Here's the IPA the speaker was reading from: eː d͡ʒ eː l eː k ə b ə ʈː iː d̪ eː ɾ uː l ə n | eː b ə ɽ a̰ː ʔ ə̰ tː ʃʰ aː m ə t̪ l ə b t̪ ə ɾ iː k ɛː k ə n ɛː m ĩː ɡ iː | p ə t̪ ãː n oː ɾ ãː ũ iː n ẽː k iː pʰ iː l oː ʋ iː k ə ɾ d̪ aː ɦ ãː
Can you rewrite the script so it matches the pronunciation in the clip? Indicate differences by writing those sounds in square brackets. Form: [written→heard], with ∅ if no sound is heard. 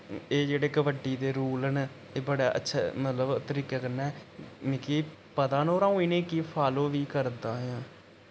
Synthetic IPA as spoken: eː d͡ʒ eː [l→ɽ] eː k ə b ə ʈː iː d̪ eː ɾ uː l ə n | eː b ə ɽ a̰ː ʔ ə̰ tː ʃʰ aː m ə t̪ l ə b t̪ ə ɾ iː k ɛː k ə n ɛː m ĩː [ɡ→k] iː | p ə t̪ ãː n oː ɾ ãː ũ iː n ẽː k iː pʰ [iː→aː] l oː ʋ iː k ə ɾ d̪ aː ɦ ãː